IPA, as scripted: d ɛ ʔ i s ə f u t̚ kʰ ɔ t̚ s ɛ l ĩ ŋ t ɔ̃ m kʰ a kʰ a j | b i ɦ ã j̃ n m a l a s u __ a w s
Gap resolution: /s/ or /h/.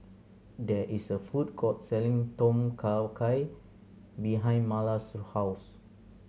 h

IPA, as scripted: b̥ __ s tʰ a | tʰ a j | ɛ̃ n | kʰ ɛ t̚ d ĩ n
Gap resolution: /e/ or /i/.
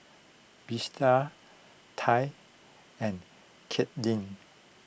i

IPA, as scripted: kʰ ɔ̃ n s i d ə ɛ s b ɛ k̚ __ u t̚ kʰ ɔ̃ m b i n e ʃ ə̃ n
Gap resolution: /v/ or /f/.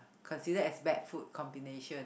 f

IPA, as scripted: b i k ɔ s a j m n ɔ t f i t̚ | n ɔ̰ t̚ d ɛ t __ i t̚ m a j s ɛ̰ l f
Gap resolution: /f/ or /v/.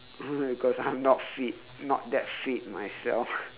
f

